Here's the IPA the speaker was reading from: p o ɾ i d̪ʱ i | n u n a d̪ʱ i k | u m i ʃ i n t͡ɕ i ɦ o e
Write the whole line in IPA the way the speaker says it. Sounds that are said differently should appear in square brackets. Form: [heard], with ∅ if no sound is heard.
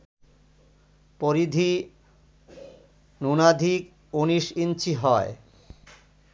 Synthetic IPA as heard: p o ɾ i d̪ʱ i | n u n a d̪ʱ i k | u [n] i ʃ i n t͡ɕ i ɦ [ɔ] e